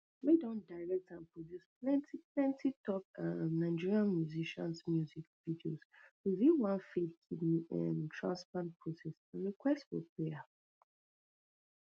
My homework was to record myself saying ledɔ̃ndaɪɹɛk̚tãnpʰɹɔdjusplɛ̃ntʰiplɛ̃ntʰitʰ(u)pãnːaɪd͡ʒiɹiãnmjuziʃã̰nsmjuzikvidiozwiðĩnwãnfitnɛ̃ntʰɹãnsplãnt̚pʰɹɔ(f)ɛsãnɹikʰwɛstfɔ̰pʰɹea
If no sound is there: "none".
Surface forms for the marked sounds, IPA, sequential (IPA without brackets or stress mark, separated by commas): ɔ, s